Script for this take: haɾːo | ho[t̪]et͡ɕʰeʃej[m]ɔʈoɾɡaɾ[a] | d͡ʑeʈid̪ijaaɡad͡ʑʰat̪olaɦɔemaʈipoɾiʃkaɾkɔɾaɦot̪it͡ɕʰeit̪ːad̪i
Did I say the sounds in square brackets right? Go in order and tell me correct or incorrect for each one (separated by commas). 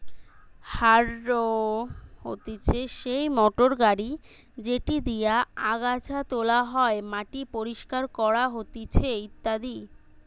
correct, correct, incorrect